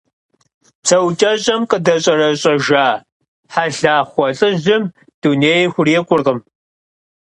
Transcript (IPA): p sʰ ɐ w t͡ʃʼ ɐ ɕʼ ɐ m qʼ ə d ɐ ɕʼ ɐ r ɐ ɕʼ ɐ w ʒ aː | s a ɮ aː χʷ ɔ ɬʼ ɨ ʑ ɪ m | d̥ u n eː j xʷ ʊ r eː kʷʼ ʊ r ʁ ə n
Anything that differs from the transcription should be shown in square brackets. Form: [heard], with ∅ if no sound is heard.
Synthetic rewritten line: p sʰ ɐ w t͡ʃʼ ɐ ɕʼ ɐ m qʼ ə d ɐ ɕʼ ɐ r ɐ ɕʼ ɐ [∅] ʒ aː | [ħ] a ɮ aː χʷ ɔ ɬʼ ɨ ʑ ɪ m | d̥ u n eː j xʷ ʊ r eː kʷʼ ʊ r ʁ ə [m]

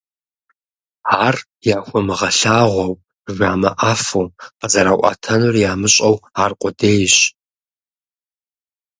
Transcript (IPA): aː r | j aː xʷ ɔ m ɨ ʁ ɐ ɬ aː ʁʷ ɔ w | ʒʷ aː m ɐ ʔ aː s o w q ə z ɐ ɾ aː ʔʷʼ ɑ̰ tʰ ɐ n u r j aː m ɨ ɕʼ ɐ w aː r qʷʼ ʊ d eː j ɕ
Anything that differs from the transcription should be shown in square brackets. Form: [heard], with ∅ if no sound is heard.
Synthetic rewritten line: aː r | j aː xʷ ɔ m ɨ ʁ ɐ ɬ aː ʁʷ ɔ w | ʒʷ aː m ɐ ʔ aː [f] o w q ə z ɐ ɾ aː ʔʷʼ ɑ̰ tʰ ɐ n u r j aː m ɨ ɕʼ ɐ w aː r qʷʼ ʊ d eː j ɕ

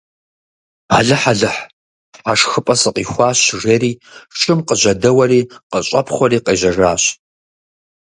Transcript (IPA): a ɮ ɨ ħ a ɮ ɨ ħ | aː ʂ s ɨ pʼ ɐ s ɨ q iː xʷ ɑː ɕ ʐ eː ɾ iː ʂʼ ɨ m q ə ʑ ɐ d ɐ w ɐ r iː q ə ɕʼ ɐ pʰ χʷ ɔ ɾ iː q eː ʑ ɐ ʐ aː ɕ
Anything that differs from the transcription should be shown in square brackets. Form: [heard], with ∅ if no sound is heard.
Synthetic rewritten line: a ɮ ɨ ħ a ɮ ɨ ħ | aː ʂ [x] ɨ pʼ ɐ s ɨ q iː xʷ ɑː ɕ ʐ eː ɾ iː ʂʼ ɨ m q ə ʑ ɐ d ɐ w ɐ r iː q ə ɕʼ ɐ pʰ χʷ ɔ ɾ iː q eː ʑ ɐ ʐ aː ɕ

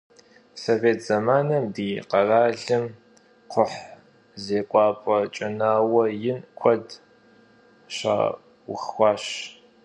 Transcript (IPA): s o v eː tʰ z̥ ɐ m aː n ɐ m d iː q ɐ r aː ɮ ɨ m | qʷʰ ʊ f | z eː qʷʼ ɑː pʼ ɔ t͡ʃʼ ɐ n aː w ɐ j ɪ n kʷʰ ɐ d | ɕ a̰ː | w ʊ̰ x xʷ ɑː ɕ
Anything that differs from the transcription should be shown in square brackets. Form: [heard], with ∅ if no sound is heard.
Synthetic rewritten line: s o v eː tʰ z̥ ɐ m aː n ɐ m d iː q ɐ r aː ɮ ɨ m | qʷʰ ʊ [ħ] | z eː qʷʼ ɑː pʼ ɔ t͡ʃʼ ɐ n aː w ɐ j ɪ n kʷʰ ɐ d | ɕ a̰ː | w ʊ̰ x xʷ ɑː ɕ

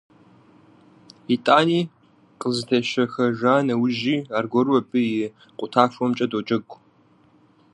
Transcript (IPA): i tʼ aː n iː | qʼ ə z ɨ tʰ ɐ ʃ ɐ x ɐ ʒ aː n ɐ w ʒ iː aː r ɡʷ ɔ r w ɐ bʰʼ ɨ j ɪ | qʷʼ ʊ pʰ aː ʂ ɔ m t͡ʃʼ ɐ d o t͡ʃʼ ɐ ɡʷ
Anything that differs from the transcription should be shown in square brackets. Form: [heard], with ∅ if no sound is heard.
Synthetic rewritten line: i tʼ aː n iː | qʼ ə z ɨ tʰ ɐ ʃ ɐ x ɐ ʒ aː n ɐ w ʒ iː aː r ɡʷ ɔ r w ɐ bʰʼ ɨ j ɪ | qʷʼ ʊ [tʰ] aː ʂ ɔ m t͡ʃʼ ɐ d o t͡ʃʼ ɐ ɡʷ

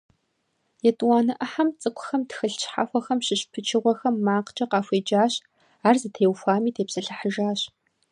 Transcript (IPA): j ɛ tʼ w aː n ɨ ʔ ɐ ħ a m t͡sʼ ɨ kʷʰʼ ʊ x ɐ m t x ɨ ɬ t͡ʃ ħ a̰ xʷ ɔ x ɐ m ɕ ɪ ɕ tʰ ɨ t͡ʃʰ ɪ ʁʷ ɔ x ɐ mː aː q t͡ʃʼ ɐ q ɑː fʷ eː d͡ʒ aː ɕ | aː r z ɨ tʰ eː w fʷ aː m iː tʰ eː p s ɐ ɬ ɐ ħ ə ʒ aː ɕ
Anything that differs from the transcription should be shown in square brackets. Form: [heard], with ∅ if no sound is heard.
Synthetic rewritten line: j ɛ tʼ w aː n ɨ ʔ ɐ ħ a m t͡sʼ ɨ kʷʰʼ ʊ x ɐ m t x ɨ ɬ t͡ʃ ħ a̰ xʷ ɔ x ɐ m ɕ ɪ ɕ [pʰ] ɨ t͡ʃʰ ɪ ʁʷ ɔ x ɐ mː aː q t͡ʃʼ ɐ q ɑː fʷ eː d͡ʒ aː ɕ | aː r z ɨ tʰ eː w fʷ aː m iː tʰ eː p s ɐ ɬ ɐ ħ ə ʒ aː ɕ

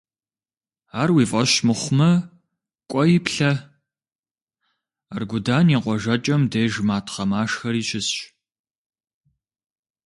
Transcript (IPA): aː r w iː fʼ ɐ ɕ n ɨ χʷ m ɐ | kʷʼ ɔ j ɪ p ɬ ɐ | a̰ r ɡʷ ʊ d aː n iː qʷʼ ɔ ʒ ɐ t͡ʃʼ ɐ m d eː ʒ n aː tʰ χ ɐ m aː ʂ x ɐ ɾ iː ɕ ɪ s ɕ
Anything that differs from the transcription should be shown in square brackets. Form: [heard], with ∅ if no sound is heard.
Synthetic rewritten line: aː r w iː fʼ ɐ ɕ [m] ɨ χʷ m ɐ | kʷʼ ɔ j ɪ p ɬ ɐ | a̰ r ɡʷ ʊ d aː n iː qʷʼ ɔ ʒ ɐ t͡ʃʼ ɐ m d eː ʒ [m] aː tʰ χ ɐ m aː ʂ x ɐ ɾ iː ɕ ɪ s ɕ

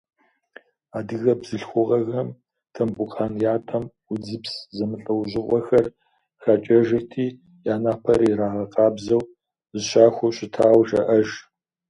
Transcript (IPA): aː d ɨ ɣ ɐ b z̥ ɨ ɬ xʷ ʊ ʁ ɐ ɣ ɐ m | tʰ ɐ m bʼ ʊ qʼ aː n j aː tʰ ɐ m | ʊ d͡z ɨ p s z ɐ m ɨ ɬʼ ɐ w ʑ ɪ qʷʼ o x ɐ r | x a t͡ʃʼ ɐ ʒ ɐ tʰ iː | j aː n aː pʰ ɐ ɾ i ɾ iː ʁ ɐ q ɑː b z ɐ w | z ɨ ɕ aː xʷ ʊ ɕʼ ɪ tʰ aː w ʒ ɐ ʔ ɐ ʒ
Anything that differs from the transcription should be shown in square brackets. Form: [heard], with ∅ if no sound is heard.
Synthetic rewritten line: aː d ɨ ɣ ɐ b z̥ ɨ ɬ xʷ ʊ ʁ ɐ ɣ ɐ m | tʰ ɐ m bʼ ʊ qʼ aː n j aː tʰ ɐ m | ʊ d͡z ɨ p s z ɐ m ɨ ɬʼ ɐ w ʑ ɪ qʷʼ [ɔ] x ɐ r | x a t͡ʃʼ ɐ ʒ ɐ tʰ iː | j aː n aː pʰ ɐ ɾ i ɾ [aː] ʁ ɐ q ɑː b z ɐ w | z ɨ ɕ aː xʷ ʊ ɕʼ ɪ tʰ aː w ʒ ɐ ʔ ɐ ʒ

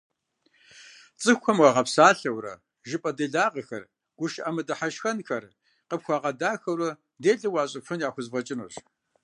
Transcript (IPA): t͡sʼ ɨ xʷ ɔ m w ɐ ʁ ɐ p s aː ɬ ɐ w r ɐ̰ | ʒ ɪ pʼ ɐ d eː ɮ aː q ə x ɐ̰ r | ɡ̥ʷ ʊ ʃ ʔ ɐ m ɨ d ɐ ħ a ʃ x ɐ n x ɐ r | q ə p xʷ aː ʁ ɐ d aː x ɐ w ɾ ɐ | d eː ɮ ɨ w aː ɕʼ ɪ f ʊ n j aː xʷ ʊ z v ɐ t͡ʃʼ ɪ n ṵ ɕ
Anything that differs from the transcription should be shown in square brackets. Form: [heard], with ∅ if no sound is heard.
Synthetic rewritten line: t͡sʼ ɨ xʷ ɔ m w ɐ ʁ ɐ p s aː ɬ ɐ w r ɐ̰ | ʒ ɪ pʼ ɐ d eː ɮ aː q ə x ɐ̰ r | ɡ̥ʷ ʊ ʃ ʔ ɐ m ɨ d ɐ ħ a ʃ x ɐ n x ɐ r | q ə p xʷ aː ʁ ɐ d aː x ɐ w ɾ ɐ | d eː ɮ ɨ w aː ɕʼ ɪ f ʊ n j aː xʷ ʊ z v ɐ t͡ʃʼ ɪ n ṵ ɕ

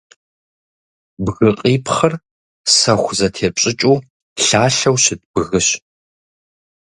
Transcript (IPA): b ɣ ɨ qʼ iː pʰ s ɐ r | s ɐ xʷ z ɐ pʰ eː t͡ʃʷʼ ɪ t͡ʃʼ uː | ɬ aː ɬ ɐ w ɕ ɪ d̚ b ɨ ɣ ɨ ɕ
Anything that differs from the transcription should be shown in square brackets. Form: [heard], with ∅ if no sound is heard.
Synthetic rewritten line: b ɣ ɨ qʼ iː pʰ [χ] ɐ r | s ɐ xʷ z ɐ [tʰ] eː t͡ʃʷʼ ɪ t͡ʃʼ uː | ɬ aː ɬ ɐ w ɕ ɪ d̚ b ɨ ɣ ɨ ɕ

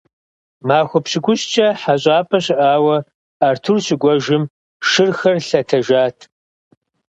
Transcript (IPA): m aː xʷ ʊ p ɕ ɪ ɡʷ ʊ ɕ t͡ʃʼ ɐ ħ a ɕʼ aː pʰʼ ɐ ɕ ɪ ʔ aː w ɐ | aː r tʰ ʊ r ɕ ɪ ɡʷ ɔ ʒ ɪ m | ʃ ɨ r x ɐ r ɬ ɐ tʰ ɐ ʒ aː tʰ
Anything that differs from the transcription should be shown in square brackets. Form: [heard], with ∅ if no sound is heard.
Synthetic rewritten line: m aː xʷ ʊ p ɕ ɪ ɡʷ ʊ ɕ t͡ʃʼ ɐ ħ a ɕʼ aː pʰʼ ɐ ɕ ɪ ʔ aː w ɐ | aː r tʰ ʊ r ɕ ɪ ɡʷ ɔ ʒ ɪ m | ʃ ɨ r x ɐ r ɬ ɐ tʰ ɐ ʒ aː tʰ

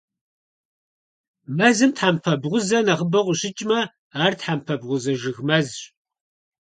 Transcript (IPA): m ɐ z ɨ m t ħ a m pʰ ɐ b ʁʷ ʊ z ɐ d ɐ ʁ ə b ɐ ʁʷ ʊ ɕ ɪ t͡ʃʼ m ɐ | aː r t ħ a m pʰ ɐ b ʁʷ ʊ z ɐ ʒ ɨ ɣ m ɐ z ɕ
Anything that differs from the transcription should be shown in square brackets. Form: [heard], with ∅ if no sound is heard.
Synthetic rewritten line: m ɐ z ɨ m t ħ a m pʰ ɐ b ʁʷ ʊ z ɐ [n] ɐ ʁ ə b ɐ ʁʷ ʊ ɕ ɪ t͡ʃʼ m ɐ | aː r t ħ a m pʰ ɐ b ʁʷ ʊ z ɐ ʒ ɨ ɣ m ɐ z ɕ

